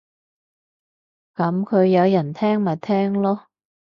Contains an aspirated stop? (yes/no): yes